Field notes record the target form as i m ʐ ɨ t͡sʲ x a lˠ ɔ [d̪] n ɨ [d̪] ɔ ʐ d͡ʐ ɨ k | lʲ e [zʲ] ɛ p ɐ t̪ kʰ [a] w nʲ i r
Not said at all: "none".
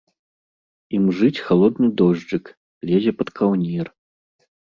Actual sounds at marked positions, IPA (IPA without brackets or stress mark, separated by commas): d̪, d̪, zʲ, a